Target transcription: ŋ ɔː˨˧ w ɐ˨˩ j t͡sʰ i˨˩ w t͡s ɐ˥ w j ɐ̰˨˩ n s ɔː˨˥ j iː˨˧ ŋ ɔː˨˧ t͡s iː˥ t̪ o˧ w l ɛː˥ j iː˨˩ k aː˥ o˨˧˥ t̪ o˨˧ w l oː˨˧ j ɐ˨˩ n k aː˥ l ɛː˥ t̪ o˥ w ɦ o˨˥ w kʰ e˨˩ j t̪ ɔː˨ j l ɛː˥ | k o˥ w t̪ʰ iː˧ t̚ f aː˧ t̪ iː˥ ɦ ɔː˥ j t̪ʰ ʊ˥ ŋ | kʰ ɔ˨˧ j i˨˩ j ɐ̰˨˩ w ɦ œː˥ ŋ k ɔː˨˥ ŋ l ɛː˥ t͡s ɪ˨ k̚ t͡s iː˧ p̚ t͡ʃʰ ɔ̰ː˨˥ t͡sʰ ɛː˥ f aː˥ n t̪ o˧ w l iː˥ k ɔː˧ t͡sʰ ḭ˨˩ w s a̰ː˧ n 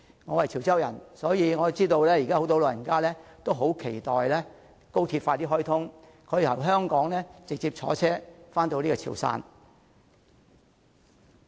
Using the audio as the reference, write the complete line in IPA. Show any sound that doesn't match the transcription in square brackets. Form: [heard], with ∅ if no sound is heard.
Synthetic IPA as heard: ŋ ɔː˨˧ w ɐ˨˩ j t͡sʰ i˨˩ w t͡s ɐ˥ w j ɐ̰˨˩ n s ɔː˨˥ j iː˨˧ ŋ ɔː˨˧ t͡s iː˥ t̪ o˧ w l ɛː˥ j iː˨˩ k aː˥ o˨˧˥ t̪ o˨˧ w l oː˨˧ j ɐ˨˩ n k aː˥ l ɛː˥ t̪ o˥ w ɦ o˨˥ w kʰ e˨˩ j t̪ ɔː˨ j l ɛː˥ | k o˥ w t̪ʰ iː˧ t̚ f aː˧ t̪ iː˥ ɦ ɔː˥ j t̪ʰ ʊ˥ ŋ | kʰ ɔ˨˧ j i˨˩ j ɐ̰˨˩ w ɦ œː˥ ŋ k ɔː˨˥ ŋ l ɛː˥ t͡s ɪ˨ k̚ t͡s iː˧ p̚ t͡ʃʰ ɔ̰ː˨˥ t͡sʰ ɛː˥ f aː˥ n t̪ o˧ w l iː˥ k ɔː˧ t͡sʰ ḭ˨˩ w s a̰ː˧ n